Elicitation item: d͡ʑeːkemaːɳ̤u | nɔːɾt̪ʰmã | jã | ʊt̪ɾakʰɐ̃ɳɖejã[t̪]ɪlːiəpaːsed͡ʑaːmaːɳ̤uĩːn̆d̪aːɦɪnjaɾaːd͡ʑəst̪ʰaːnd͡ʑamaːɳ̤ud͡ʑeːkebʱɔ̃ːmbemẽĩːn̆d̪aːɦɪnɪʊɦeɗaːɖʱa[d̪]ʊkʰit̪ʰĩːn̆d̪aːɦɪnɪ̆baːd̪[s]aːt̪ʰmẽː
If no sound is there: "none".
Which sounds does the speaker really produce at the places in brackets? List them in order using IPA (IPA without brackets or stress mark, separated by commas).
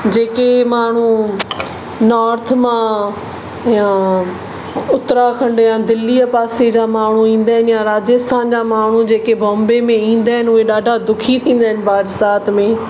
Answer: d̪, d̪, s